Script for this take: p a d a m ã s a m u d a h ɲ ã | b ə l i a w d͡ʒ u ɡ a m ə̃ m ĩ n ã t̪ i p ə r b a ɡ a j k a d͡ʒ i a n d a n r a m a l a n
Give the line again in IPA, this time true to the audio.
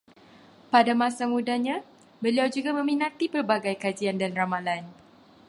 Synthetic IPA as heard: p a d a m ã s a m u d a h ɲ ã | b ə l i a w d͡ʒ u ɡ a m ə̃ m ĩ n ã t̪ i p ə r b a ɡ a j k a d͡ʒ i a n d a n r a m a l a n